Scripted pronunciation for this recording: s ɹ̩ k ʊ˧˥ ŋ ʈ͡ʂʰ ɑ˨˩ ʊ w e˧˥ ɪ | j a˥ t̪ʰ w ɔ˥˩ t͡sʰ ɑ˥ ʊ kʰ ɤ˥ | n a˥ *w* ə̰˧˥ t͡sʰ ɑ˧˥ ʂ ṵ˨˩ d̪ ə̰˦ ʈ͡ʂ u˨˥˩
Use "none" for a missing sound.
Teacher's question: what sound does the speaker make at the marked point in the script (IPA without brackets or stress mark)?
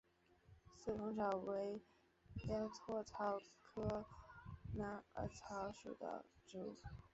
none